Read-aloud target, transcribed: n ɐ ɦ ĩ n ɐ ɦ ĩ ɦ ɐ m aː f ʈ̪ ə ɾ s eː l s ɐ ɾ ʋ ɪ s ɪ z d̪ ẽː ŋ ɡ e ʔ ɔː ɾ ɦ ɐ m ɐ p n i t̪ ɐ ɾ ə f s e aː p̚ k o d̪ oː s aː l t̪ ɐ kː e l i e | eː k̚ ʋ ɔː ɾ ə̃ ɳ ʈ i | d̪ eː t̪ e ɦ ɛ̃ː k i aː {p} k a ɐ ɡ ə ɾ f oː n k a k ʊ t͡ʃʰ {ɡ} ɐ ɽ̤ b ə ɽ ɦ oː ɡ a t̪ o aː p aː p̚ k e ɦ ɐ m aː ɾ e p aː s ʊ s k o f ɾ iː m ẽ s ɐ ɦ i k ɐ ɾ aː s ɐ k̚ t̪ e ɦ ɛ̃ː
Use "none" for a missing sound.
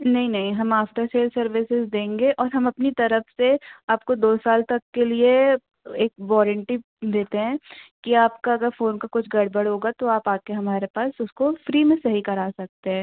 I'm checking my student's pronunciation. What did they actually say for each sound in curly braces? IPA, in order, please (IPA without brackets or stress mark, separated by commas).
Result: p, ɡ